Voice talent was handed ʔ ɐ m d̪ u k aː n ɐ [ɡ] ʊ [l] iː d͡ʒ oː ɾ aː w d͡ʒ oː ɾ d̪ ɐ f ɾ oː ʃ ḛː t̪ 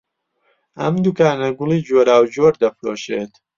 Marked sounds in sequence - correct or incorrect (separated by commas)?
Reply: correct, correct